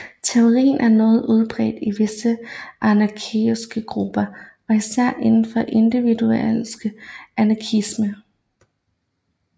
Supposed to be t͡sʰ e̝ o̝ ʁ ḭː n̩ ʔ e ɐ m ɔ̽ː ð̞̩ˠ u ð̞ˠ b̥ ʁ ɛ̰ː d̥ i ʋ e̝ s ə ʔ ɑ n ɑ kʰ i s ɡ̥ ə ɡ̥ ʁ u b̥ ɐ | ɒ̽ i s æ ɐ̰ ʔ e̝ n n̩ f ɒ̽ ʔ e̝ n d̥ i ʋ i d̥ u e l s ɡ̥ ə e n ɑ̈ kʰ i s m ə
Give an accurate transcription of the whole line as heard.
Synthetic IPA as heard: t͡sʰ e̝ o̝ ʁ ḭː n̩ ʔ æ ɐ n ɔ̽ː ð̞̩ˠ u ð̞ˠ b̥ ʁ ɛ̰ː d̥ i ʋ e̝ s ə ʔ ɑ n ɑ kʰ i s ɡ̥ ə ɡ̥ ʁ u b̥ ɐ | ɒ̽ i s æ ɐ̰ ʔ e̝ n n̩ f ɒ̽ ʔ e̝ n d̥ i ʋ i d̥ u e l s ɡ̥ ə æ n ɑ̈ kʰ i s m ə